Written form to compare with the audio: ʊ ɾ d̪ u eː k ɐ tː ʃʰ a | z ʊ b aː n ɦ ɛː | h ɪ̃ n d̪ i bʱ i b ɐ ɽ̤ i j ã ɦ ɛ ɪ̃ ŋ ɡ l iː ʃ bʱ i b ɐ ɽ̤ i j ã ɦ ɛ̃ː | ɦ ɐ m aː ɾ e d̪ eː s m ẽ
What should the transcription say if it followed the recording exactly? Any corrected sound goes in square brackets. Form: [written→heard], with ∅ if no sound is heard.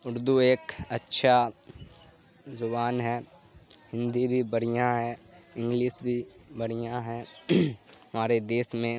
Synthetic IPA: ʊ ɾ d̪ u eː k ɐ tː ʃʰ a | z ʊ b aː n ɦ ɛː | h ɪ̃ n d̪ i bʱ i b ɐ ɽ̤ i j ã ɦ ɛ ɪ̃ ŋ ɡ l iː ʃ bʱ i b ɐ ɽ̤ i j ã ɦ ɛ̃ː | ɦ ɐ m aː ɾ e d̪ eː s m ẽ